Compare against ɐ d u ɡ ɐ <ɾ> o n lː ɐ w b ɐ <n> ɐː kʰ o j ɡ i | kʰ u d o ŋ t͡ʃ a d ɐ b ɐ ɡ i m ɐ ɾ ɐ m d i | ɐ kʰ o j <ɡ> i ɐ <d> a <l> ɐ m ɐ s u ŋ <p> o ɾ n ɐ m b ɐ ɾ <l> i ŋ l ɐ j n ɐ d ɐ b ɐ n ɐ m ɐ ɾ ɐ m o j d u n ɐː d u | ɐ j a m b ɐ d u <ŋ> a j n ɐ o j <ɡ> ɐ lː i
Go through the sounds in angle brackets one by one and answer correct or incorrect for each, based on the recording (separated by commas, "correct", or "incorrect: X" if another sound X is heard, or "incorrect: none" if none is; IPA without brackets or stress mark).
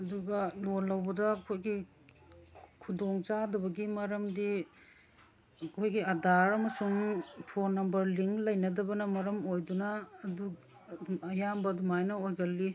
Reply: incorrect: l, incorrect: d, correct, correct, incorrect: ɾ, incorrect: pʰ, correct, incorrect: m, correct